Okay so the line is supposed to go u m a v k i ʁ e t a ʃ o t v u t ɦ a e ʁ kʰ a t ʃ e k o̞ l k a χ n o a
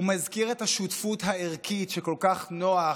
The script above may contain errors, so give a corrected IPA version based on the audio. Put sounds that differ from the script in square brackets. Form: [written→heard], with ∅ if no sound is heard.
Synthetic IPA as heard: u m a [v→z] k i ʁ e t a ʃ [o→u] t [v→f] u t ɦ a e ʁ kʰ [a→i] t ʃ e k o̞ l k a χ n o a